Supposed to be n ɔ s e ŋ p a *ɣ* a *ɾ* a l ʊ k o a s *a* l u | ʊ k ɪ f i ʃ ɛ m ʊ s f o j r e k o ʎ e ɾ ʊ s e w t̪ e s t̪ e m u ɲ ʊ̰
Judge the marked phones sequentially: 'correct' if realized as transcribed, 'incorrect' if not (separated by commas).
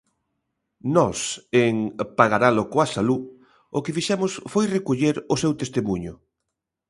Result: correct, correct, correct